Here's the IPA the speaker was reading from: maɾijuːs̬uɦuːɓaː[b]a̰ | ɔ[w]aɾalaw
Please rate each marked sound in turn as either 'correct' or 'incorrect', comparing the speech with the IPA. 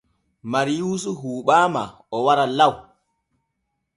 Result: incorrect: m, correct

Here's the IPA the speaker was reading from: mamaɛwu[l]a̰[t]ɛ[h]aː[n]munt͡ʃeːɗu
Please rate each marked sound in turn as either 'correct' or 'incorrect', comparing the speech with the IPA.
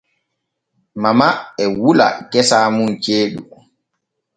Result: correct, incorrect: k, incorrect: s, incorrect: none

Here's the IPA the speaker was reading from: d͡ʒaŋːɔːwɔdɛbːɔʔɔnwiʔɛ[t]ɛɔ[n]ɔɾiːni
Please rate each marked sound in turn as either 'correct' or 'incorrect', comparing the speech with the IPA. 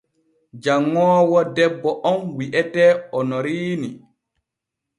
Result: correct, correct

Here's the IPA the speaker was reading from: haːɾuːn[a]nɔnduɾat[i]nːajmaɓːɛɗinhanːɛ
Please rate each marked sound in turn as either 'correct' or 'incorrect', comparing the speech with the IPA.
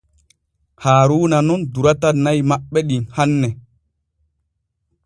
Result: correct, incorrect: a

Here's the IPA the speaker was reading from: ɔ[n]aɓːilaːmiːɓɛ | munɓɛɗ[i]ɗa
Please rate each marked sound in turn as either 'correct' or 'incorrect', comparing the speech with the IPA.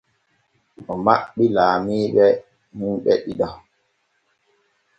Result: incorrect: m, correct

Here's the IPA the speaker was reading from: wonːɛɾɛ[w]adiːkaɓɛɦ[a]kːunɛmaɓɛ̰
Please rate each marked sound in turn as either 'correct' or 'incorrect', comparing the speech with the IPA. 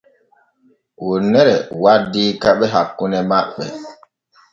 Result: correct, correct

